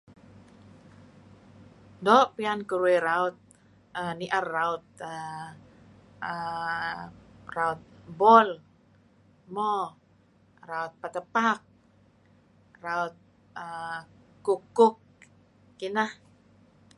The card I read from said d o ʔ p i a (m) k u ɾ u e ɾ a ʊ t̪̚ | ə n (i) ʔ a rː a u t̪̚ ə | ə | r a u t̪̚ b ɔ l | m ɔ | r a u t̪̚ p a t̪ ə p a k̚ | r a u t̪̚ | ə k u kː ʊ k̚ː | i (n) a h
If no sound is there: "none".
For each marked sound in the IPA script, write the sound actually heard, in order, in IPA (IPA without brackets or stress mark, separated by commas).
n, i, n